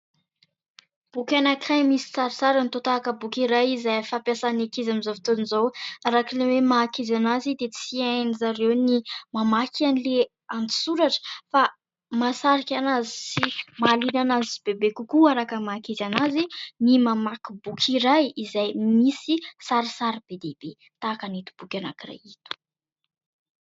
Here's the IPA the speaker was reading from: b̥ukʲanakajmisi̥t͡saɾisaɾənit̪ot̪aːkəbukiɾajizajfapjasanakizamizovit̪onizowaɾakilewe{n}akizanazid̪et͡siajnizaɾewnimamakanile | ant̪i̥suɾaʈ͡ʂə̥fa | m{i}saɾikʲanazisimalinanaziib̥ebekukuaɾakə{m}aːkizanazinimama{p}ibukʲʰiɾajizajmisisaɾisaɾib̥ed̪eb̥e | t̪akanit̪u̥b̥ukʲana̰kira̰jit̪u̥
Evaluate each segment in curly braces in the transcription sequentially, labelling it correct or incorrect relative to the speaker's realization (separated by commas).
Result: incorrect, incorrect, correct, incorrect